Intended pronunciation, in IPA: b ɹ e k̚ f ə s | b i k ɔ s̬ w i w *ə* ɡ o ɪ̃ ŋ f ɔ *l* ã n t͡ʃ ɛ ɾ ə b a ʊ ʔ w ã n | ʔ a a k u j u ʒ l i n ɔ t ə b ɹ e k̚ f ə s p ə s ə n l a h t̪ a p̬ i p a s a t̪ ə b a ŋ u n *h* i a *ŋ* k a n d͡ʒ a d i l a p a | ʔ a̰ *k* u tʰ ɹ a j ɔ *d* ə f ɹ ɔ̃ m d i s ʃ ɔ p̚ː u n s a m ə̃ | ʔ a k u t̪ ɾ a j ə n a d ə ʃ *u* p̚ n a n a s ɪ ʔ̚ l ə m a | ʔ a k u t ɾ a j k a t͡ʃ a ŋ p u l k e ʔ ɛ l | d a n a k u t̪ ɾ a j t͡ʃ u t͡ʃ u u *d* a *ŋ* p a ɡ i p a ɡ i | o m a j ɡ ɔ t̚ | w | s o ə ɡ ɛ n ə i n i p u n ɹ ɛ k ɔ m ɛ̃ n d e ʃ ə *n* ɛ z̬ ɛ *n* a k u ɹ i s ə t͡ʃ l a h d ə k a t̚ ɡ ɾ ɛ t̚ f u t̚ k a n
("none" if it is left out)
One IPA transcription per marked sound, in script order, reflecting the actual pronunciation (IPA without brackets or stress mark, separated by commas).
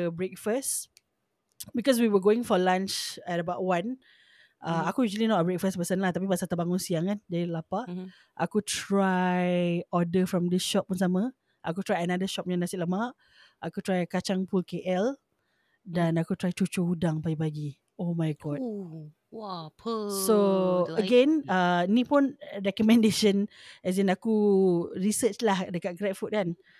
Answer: ə, l, s, ŋ, k, d, ɔ, d, ŋ, n, n